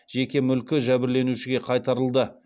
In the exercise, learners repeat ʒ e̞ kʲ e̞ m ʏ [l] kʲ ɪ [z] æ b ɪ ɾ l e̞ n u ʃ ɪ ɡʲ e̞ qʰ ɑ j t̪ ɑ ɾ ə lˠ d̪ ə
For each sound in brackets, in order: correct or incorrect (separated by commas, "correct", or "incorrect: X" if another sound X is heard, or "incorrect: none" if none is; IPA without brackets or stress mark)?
correct, incorrect: ʒ